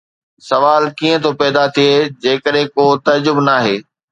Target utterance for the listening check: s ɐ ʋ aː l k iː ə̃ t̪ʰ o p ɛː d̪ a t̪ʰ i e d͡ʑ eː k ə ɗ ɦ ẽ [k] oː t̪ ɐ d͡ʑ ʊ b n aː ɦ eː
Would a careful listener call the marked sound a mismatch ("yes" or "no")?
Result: no